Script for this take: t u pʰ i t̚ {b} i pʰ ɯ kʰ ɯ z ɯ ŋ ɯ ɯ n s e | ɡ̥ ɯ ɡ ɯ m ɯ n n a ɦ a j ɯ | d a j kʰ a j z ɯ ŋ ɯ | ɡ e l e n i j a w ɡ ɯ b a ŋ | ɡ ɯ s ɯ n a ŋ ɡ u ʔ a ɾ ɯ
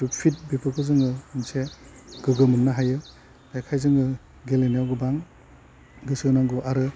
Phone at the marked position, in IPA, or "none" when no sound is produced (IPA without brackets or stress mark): b